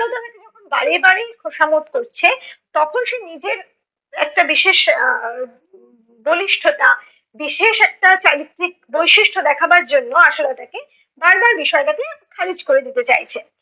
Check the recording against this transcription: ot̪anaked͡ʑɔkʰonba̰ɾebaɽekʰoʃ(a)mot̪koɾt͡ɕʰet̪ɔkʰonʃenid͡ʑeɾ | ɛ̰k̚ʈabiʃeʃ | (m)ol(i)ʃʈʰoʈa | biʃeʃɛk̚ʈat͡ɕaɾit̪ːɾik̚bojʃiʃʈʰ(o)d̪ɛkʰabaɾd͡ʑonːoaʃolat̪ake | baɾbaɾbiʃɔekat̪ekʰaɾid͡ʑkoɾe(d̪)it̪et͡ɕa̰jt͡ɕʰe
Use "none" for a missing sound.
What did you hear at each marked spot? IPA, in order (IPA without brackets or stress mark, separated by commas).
a, b, i, o, d̪